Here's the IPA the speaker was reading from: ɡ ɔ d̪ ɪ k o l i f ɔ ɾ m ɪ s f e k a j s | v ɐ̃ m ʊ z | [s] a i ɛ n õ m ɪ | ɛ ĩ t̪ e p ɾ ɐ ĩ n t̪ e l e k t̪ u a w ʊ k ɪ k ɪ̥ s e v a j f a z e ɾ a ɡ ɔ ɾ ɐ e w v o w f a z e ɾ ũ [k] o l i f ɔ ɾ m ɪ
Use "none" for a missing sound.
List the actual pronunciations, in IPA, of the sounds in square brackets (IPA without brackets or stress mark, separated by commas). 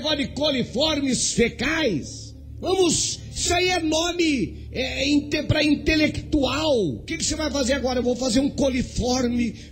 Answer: s, k